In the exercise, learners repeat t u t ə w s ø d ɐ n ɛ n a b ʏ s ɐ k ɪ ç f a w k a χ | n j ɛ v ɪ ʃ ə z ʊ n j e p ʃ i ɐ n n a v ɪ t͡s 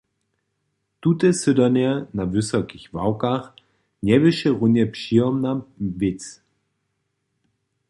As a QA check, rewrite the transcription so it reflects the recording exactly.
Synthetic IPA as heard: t u t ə s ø d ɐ n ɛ n a v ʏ s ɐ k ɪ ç v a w k a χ | n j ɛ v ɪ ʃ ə ʁ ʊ n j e p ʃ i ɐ m n a v ɪ t͡s

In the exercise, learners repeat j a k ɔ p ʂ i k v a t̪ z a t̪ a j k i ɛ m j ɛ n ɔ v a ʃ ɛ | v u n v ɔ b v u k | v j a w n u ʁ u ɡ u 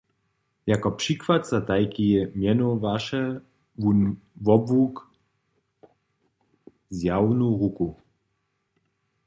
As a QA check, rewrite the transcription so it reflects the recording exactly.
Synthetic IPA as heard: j a k ɔ p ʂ i k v a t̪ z a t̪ a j k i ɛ m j ɛ n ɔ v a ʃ ɛ | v u n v ɔ b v u k | z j a w n u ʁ u k u

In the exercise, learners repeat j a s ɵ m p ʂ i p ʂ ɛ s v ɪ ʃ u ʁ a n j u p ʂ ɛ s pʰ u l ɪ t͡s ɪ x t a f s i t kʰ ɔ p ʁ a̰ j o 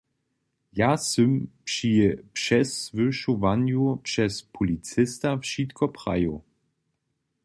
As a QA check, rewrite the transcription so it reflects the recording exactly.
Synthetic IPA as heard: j a s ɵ m p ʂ i p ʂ ɛ s v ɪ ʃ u v a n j u p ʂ ɛ s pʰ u l i t͡s ɪ s t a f ʃ i t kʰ ɔ p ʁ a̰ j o

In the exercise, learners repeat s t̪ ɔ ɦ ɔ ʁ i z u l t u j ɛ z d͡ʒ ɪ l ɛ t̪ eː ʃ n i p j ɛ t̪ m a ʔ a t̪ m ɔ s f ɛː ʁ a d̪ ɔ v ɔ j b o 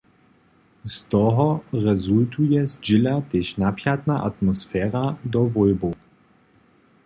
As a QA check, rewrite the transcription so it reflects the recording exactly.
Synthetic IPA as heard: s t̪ ɔ ɦ ɔ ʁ ɛ z u l t u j ɛ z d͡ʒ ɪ l a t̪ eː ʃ n a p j a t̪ n a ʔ a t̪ m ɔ s f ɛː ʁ a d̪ ɔ v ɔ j b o

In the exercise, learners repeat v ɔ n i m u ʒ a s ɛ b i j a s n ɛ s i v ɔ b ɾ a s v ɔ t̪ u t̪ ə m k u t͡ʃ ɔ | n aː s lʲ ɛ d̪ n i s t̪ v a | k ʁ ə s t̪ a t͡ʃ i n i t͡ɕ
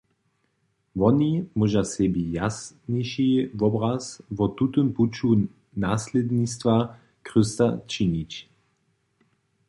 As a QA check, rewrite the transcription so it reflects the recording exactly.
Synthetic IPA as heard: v ɔ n i m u ʒ a s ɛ b i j a s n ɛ ʃ i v ɔ b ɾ a s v ɔ t̪ u t̪ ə m p u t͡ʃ u | n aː s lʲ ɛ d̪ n i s t̪ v a | k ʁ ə s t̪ a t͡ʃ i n i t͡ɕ

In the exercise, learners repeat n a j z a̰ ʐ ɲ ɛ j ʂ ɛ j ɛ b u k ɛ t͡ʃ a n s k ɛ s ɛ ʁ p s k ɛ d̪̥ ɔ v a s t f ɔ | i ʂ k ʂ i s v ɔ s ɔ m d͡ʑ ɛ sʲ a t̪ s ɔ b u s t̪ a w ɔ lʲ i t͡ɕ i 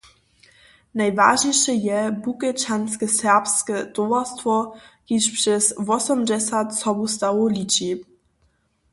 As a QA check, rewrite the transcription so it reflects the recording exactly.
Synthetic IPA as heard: n a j v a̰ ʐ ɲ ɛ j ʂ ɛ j ɛ b u k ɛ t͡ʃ a n s k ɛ s ɛ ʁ p s k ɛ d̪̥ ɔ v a s t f ɔ | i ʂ p ʂ ɛ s v ɔ s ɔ m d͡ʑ ɛ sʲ a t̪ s ɔ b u s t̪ a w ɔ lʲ i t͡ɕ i

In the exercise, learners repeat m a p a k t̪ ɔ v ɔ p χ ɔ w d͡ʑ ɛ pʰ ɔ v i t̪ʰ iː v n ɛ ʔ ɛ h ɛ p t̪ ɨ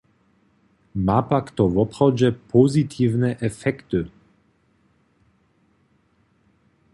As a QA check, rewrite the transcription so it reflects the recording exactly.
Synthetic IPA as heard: m a p a k t̪ ɔ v ɔ p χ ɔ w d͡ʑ ɛ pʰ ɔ z i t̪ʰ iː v n ɛ ʔ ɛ f ɛ k t̪ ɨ

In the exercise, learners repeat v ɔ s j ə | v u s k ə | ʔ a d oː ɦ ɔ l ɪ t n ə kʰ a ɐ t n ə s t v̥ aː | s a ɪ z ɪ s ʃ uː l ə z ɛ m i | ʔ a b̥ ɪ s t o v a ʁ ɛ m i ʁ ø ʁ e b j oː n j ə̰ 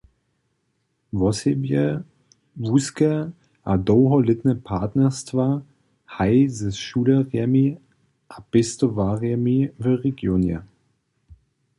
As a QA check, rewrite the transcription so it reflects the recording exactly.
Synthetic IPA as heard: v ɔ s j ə | v u s k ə | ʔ a d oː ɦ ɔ l ɪ t n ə pʰ a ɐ t n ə s t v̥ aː | h a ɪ z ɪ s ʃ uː l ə ʁ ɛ m i | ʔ a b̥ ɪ s t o v a ʁ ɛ m i v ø ʁ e ɡ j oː n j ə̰

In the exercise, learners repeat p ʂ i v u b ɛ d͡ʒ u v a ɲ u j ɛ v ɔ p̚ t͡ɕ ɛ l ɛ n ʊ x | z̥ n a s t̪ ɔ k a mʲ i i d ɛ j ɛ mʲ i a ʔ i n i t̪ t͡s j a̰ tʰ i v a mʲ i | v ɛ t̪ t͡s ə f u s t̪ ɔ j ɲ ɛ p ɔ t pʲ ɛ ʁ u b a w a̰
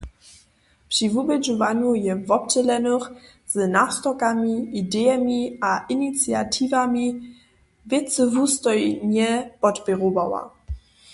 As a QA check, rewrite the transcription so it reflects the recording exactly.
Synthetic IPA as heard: p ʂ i v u b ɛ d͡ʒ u v a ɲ u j ɛ v ɔ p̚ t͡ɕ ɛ l ɛ n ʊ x | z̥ n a s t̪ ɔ k a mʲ i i d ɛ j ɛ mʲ i a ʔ i n i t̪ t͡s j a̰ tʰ i v a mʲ i | v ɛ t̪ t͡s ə v u s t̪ ɔ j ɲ ɛ p ɔ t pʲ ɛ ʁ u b a w a̰

